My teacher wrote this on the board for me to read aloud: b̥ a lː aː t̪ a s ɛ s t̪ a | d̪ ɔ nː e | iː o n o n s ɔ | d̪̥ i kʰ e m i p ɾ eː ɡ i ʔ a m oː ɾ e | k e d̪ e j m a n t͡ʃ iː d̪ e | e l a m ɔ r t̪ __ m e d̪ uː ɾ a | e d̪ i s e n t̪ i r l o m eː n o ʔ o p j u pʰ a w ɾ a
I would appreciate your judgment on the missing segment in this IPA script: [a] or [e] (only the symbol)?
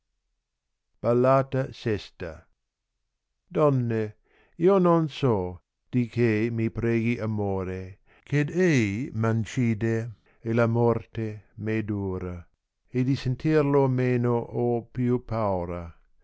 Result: e